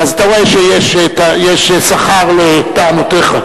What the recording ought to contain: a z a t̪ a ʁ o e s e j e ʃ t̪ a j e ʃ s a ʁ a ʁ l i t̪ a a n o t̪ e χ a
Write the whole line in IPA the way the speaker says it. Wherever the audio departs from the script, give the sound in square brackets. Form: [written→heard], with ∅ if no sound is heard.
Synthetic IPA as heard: a z a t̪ a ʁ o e [s→ʃ] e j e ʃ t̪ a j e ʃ s a [ʁ→χ] a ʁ l [i→e] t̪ a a n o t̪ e χ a